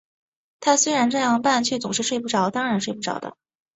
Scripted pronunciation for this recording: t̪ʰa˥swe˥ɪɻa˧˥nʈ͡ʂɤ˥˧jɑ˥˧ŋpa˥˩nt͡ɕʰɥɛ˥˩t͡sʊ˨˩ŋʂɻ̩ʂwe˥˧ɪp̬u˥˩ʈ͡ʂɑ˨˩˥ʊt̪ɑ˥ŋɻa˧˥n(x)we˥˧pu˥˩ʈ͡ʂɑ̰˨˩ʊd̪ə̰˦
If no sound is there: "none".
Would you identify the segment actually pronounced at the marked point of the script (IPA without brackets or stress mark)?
ʂ